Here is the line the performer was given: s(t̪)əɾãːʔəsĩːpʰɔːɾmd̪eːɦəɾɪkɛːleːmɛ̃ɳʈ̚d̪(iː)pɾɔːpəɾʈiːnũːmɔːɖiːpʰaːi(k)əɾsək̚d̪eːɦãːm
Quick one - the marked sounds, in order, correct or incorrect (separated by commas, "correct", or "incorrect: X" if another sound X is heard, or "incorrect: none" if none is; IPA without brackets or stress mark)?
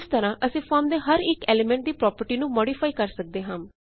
correct, correct, correct